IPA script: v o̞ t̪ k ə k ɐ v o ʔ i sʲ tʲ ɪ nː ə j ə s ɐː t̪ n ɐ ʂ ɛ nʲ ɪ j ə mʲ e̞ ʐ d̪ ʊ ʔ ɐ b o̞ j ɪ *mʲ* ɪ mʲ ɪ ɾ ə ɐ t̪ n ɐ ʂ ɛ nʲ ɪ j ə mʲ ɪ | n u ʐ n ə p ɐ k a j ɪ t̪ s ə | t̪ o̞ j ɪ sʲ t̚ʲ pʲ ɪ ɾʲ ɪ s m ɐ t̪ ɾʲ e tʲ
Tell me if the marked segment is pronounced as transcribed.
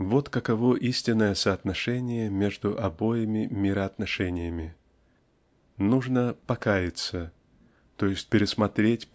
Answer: yes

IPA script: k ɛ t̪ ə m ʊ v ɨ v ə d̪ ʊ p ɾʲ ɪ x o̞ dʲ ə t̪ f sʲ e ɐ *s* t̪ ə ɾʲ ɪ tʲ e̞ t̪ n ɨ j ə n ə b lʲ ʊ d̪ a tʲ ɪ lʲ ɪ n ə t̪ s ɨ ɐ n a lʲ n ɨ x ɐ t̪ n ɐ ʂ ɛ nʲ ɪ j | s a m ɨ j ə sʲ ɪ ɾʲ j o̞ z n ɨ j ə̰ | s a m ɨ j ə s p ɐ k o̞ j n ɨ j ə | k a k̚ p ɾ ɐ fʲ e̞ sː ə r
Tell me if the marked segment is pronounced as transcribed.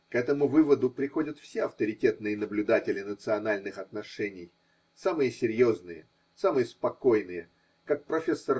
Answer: no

